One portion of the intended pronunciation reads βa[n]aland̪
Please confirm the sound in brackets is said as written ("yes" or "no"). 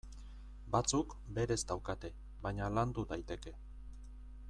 no